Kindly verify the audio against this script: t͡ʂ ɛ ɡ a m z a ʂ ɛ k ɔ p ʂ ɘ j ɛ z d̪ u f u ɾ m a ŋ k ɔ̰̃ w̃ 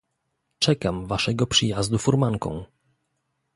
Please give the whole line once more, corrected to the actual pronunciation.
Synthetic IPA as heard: t͡ʂ ɛ k a m v a ʂ ɛ ɡ ɔ p ʂ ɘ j a z d̪ u f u ɾ m a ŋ k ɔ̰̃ w̃